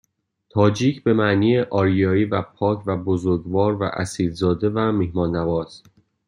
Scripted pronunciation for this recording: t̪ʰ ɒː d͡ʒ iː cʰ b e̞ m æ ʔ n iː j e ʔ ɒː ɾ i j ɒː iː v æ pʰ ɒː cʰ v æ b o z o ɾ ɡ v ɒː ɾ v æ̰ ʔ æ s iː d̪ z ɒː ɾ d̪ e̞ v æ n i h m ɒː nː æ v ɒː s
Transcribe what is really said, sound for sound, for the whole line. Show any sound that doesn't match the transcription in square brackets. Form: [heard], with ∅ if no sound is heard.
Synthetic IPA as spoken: t̪ʰ ɒː d͡ʒ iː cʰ b e̞ m æ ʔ n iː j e ʔ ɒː ɾ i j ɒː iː v æ pʰ ɒː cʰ v æ b o z o ɾ ɡ v ɒː ɾ v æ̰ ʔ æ s iː d̪ z ɒː [∅] d̪ e̞ v æ [m] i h m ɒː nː æ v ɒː s